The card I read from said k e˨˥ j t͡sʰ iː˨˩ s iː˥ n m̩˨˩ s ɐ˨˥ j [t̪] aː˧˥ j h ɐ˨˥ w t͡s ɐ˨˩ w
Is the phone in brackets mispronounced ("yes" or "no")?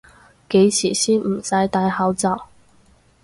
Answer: no